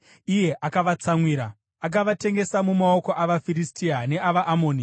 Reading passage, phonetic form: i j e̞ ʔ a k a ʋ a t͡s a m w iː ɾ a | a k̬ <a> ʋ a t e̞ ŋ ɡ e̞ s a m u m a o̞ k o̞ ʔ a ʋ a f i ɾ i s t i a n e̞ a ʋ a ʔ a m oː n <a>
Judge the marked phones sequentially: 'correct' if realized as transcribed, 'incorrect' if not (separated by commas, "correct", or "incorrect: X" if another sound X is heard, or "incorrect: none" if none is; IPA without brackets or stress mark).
correct, incorrect: i